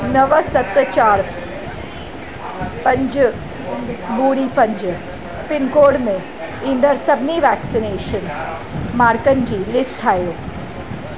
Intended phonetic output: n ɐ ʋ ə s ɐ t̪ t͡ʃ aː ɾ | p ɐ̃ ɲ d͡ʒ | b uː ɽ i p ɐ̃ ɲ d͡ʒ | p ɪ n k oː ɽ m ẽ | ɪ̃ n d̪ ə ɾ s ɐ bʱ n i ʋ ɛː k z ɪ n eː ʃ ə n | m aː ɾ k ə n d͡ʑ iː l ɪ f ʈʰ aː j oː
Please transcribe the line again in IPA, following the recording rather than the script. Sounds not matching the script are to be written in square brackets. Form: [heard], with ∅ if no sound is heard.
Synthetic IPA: n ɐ ʋ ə s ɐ t̪ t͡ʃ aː ɾ | p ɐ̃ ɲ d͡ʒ | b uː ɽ i p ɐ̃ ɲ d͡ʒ | p ɪ n k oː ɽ m ẽ | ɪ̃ n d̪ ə ɾ s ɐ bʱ n i ʋ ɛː k [s] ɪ n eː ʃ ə n | m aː ɾ k ə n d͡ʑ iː l ɪ [s] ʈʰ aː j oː